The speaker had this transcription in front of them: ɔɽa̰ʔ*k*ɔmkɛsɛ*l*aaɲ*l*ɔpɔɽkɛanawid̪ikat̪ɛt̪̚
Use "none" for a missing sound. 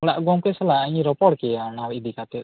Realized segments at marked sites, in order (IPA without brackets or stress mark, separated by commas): ɡ, l, ɾ